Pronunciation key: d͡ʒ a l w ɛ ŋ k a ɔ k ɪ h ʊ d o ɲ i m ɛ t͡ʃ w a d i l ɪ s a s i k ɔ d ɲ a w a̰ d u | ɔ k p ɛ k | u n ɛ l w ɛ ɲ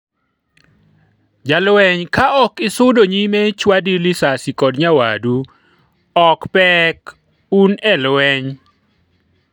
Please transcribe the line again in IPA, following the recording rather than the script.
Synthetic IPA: d͡ʒ a l w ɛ ɲ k a ɔ k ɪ s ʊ d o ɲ i m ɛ t͡ʃ w a d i l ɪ s a s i k ɔ d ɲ a w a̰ d u | ɔ k p ɛ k | u n ɛ l w ɛ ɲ